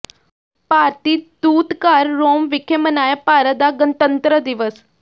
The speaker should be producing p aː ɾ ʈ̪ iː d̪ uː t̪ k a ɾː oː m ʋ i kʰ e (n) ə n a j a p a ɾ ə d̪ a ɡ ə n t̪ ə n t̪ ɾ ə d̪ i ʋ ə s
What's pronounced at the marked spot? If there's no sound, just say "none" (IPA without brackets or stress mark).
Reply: m